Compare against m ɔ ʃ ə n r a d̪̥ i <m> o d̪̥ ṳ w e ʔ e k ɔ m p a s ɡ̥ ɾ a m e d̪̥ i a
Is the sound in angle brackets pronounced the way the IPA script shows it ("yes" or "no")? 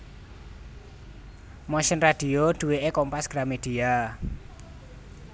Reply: no